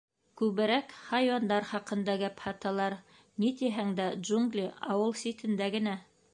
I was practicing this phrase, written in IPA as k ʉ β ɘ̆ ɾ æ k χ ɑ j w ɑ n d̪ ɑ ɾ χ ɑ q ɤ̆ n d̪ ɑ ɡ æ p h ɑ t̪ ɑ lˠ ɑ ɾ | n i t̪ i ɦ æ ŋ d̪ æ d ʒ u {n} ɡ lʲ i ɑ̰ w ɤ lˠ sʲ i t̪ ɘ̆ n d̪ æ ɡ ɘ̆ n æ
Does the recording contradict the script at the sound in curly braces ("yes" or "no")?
yes